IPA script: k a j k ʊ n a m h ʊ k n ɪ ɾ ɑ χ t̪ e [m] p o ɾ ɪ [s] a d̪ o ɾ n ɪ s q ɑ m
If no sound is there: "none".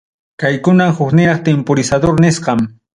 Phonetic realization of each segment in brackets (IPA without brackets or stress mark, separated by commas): m, s